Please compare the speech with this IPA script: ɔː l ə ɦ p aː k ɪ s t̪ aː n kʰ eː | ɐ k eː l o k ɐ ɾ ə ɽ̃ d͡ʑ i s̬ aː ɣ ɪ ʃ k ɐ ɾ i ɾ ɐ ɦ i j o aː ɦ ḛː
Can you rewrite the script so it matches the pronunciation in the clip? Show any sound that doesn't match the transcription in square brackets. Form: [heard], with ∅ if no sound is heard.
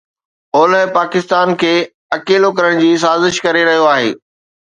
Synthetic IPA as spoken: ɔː l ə ɦ p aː k ɪ s t̪ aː n kʰ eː | ɐ k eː l o k ɐ ɾ ə ɽ̃ d͡ʑ [iː] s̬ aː [z] ɪ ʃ k ɐ ɾ [e] ɾ ɐ ɦ i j o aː ɦ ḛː